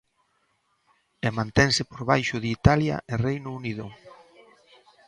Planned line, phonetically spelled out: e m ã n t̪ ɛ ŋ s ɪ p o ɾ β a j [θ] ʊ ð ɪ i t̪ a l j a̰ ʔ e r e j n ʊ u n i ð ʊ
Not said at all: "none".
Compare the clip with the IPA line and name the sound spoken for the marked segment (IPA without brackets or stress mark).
ʃ